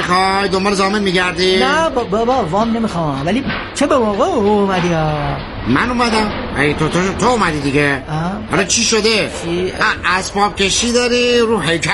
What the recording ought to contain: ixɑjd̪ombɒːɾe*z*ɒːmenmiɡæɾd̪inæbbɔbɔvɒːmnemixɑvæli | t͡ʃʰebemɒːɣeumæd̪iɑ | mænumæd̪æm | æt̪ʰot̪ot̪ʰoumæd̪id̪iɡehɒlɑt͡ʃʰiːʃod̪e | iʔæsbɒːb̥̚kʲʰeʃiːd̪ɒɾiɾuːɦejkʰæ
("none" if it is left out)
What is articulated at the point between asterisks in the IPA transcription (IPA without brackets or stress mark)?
z